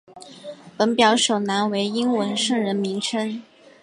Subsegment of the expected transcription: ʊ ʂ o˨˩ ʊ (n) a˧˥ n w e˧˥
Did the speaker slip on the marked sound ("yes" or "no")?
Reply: no